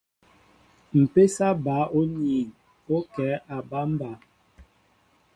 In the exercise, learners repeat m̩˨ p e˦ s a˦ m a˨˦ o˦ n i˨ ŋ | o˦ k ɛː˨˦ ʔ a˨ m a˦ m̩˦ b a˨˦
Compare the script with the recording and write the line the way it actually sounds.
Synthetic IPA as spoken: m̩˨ p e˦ s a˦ b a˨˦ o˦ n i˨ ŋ | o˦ k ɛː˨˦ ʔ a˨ b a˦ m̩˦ b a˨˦

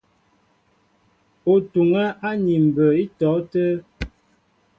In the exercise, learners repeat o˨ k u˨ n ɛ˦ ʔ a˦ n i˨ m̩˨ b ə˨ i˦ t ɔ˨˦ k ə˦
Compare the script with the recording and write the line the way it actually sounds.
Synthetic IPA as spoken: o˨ t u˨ ŋ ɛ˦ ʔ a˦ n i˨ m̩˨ b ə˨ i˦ t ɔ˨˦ t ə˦

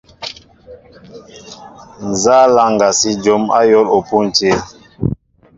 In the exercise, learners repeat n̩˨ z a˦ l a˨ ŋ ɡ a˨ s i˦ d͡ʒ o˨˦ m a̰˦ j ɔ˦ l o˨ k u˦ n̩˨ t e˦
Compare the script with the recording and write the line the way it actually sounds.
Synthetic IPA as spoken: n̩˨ z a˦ l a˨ ŋ ɡ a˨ s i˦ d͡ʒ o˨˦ m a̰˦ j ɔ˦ l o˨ p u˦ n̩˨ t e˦

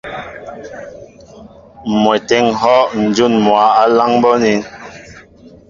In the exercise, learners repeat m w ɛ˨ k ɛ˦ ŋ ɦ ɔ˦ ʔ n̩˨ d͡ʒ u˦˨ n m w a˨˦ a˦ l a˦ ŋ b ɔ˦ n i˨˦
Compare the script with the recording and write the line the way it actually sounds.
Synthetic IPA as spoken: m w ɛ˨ t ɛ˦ ŋ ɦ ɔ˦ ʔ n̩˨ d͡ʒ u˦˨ n m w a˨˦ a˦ l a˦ ŋ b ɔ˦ n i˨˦

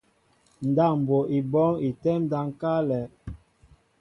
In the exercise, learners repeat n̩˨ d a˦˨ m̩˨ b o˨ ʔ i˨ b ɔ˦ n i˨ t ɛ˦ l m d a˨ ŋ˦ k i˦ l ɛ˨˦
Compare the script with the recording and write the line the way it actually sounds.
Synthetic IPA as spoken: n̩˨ d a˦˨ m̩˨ b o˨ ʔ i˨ b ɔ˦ ŋ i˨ t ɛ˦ m d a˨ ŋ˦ k a˦ l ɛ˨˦

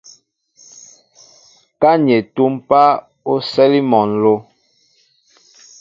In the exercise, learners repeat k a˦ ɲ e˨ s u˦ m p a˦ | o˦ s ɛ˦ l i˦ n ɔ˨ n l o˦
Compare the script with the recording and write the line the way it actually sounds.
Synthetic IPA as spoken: k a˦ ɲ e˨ t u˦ m p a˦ | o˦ s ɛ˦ l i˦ m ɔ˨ n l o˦

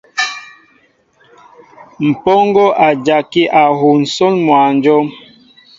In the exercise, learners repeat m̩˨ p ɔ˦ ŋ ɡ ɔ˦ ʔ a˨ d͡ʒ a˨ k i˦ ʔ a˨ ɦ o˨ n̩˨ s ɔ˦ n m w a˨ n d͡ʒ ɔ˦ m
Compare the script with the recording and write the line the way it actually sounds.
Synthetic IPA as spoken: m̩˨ p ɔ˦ ŋ ɡ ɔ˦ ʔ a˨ d͡ʒ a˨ k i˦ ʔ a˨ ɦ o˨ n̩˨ s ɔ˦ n m w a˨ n d͡ʒ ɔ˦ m

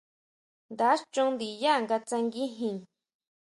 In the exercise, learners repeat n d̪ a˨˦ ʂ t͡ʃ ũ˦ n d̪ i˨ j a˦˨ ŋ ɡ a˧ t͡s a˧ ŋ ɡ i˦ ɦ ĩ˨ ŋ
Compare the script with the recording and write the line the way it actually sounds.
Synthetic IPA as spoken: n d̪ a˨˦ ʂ t͡ʃ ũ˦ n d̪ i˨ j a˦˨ ŋ ɡ a˧ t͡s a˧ ŋ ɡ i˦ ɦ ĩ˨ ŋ

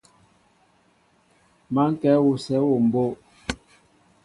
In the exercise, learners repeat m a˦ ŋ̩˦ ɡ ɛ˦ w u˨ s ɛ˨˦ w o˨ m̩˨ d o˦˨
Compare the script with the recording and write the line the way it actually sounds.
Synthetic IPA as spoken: m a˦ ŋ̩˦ k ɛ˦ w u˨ s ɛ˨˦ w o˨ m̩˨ b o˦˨

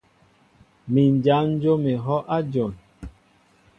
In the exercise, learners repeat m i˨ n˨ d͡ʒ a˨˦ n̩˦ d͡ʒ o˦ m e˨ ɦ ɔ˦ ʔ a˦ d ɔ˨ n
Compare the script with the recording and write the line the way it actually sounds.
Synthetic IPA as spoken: m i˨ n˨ d͡ʒ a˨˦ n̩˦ d͡ʒ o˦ m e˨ ɦ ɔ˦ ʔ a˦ d͡ʒ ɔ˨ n

